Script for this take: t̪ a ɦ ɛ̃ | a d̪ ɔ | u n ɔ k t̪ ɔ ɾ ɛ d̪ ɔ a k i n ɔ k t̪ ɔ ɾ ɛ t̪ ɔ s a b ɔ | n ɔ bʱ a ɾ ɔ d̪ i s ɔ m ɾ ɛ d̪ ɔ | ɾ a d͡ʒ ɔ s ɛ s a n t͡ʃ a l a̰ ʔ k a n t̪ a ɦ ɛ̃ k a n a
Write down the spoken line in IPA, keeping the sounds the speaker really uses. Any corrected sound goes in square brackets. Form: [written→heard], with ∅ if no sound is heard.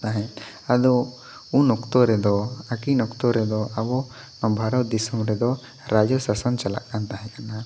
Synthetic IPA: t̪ a ɦ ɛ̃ | a d̪ ɔ | u n ɔ k t̪ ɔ ɾ ɛ d̪ ɔ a k i n ɔ k t̪ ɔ ɾ ɛ [t̪→d̪] ɔ [s→∅] a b ɔ | n ɔ bʱ a ɾ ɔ d̪ i s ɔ m ɾ ɛ d̪ ɔ | ɾ a d͡ʒ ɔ s [ɛ→a] s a n t͡ʃ a l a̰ ʔ k a n t̪ a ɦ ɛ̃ k a n a